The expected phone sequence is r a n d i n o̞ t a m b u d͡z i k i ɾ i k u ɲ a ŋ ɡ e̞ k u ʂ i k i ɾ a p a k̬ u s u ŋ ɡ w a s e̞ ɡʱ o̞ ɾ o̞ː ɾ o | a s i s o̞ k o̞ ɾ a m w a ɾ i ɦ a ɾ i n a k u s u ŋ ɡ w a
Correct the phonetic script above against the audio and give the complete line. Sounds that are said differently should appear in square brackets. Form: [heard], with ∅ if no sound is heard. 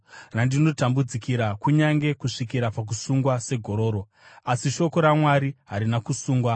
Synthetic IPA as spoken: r a n d i n o̞ t a m b u d͡z i k i ɾ [a] k u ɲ a ŋ ɡ e̞ k u ʂ i k i ɾ a p a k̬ u s u ŋ ɡ w a s e̞ ɡʱ o̞ ɾ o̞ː ɾ o | a s i [ʃ] o̞ k o̞ ɾ a m w a ɾ i ɦ a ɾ i n a k u s [uː] ŋ ɡ w a